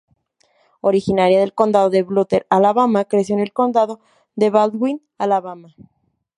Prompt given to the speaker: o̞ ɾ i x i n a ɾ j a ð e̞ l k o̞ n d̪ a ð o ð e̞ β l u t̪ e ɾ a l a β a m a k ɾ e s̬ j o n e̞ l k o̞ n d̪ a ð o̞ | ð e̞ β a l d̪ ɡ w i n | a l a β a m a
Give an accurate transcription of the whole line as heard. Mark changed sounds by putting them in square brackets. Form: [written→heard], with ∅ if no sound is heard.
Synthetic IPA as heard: o̞ ɾ i x i n a ɾ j a ð e̞ l k o̞ n d̪ a ð o ð e̞ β l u t̪ e ɾ a l a β a m a k ɾ e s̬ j o n e̞ l k o̞ n d̪ a ð o̞ | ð e̞ β a l d̪ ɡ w i n | a l a β a m a

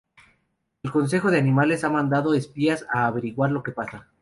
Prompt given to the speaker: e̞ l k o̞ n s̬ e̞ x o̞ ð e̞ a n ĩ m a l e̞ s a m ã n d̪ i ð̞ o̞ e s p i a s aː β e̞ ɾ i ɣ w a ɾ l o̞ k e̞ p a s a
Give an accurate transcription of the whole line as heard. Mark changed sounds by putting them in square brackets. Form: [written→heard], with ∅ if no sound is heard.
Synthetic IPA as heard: e̞ l k o̞ n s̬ e̞ x o̞ ð e̞ a n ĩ m a l e̞ s a m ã n d̪ [i→a] ð̞ o̞ e s p i a s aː β e̞ ɾ i ɣ w a ɾ l o̞ k e̞ p a s a

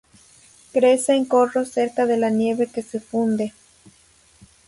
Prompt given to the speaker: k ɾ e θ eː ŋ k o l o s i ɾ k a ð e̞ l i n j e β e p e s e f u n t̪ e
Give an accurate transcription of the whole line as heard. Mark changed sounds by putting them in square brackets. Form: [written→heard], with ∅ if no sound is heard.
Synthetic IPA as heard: k ɾ e [θ→s] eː ŋ k o [l→r] o s [i→e] ɾ k a ð e̞ l [i→a] n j e β e [p→k] e s e f u n [t̪→d̪] e

